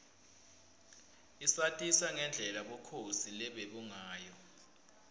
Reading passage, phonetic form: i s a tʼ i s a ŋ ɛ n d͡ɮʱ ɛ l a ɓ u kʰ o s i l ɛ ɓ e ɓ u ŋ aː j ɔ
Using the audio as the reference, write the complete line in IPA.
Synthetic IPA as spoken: i s a tʼ i s a ŋ ɛ n d͡ɮʱ ɛ l a ɓ ɔ kʰ o s i l ɛ ɓ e ɓ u ŋ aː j ɔ